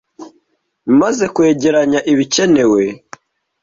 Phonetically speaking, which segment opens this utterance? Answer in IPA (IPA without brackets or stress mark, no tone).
m